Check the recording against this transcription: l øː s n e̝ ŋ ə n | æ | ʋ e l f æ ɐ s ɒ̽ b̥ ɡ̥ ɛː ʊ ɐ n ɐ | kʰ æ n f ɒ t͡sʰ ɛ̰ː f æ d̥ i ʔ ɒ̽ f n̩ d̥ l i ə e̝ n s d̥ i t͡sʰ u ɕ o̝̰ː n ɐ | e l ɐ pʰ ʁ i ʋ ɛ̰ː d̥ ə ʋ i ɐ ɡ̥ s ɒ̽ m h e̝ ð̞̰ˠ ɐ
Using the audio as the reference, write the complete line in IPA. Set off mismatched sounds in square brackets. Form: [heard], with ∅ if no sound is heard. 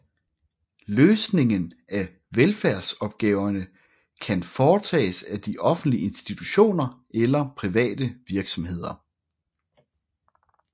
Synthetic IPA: l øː s n e̝ ŋ ə n | æ | ʋ e l f æ ɐ s ɒ̽ b̥ ɡ̥ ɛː ʊ ɐ n [ə] | kʰ æ n f [ɒː] t͡sʰ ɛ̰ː [s] æ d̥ i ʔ ɒ̽ f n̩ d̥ l i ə e̝ n s d̥ i t͡sʰ u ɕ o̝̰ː n ɐ | e l ɐ pʰ ʁ i ʋ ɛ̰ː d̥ ə ʋ i ɐ ɡ̥ s ɒ̽ m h e̝ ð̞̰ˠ ɐ